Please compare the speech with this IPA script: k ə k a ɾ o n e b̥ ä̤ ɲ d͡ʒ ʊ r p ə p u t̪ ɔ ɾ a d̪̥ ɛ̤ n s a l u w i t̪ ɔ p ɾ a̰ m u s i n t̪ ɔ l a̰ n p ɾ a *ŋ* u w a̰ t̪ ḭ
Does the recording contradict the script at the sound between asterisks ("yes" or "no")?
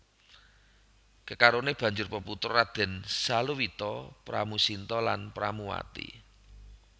yes